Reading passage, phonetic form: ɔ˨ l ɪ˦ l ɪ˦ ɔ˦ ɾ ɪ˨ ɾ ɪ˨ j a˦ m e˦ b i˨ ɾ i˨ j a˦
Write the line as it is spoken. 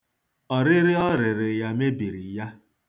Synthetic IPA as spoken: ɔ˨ ɾ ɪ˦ ɾ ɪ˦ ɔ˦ ɾ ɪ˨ ɾ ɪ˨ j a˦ m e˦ b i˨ ɾ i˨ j a˦